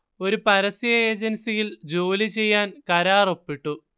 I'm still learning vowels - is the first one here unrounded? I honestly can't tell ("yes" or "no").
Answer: no